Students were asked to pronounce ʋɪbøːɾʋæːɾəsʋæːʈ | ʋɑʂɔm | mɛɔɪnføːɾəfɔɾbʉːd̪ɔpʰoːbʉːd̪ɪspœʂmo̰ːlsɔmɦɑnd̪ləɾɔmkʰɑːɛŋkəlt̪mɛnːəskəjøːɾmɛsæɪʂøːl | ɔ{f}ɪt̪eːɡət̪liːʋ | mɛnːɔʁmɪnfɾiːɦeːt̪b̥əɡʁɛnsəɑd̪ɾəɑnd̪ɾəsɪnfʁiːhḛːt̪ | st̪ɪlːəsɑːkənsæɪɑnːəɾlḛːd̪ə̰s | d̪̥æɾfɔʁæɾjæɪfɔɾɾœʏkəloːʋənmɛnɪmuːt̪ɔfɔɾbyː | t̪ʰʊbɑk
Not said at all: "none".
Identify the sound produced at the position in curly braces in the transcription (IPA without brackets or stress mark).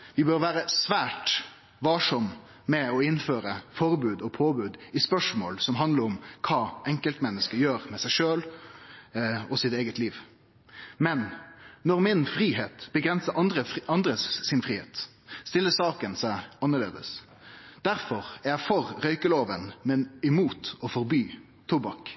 s